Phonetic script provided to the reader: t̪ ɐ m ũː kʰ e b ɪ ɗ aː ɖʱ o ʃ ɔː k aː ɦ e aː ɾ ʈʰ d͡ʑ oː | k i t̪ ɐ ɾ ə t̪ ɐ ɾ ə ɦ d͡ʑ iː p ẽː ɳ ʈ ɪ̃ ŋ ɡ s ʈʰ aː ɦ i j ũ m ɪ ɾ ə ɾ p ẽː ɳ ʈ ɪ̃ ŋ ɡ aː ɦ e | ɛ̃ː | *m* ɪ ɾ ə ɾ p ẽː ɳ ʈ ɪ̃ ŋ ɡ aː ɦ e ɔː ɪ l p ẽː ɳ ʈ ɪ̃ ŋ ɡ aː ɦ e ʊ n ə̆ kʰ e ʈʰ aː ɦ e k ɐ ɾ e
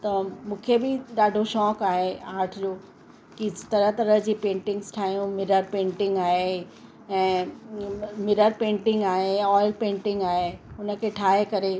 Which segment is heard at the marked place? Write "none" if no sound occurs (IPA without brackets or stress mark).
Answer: m